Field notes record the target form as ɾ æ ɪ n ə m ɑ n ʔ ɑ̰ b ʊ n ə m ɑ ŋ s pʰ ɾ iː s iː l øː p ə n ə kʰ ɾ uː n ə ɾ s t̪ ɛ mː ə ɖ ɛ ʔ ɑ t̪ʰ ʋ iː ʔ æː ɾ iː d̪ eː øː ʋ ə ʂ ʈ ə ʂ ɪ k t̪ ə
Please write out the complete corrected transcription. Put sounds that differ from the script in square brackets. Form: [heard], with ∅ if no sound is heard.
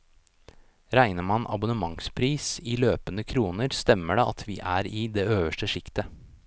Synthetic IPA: ɾ æ ɪ n ə m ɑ n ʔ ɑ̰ b ʊ n ə m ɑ ŋ s pʰ ɾ iː s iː l øː p ə n ə kʰ ɾ uː n ə ɾ s t̪ ɛ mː ə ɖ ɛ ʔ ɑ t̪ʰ ʋ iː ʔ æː ɾ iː d̪ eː øː ʋ ə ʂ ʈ ə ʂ ɪ k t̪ ə